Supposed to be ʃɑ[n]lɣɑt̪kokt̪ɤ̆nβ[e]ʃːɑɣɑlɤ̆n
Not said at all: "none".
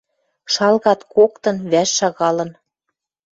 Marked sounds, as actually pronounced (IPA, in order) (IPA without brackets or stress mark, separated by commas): none, æ